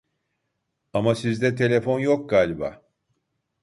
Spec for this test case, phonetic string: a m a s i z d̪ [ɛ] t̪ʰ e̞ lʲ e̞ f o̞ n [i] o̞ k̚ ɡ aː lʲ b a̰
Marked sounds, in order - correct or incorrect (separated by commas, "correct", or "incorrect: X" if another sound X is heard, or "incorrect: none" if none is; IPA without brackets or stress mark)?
correct, incorrect: j